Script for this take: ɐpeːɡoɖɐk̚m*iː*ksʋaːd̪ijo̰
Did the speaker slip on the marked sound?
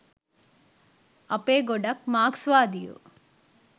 yes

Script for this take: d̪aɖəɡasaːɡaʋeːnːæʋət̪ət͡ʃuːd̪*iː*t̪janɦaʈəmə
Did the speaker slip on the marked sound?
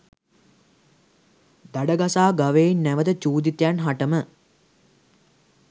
yes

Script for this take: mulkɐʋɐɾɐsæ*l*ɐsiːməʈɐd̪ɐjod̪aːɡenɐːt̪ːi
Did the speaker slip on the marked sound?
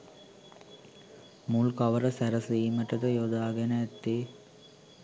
yes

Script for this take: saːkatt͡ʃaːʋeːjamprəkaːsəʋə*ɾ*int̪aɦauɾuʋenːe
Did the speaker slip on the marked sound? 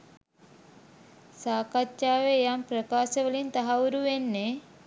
yes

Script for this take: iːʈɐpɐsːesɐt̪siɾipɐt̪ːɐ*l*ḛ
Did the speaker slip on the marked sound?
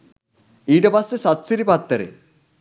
yes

